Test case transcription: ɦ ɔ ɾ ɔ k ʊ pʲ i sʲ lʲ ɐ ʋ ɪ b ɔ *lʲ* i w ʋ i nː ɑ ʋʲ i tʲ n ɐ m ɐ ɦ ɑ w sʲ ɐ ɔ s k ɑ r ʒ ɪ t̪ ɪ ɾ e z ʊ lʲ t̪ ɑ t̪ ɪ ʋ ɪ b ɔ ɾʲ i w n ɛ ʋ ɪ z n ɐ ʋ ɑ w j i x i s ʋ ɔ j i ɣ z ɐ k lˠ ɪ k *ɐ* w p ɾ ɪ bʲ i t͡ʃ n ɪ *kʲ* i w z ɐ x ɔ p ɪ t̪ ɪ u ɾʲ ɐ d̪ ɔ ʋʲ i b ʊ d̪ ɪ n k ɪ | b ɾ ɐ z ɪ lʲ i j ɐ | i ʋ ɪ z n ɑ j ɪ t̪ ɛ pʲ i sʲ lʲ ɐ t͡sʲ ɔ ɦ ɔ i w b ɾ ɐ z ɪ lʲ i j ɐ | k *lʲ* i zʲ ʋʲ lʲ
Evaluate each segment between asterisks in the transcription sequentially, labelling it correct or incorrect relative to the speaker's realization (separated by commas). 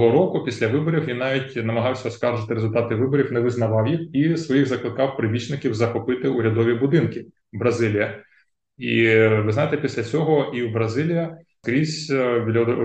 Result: incorrect, incorrect, correct, incorrect